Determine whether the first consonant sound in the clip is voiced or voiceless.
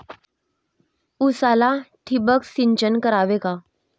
voiceless